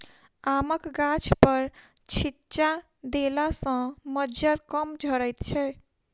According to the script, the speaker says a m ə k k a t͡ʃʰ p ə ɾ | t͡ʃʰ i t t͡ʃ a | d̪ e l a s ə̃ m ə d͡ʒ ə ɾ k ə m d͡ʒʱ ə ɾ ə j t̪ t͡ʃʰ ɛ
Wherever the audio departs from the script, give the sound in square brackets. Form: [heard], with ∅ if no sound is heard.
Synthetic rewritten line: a m ə k [ɡ] a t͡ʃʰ p ə ɾ | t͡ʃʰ i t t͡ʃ a | d̪ e l a s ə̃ m ə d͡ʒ ə ɾ k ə m d͡ʒʱ ə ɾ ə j t̪ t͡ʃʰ ɛ